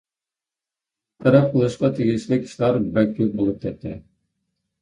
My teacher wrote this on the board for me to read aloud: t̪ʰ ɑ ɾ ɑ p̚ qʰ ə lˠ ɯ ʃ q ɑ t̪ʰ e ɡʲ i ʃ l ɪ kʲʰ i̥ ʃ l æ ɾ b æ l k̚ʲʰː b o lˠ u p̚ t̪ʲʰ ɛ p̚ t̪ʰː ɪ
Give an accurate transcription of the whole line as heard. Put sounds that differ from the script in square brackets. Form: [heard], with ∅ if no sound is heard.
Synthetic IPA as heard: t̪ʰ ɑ ɾ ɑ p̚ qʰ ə lˠ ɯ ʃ q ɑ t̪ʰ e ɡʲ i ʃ l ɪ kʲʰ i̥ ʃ l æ ɾ b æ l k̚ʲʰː b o lˠ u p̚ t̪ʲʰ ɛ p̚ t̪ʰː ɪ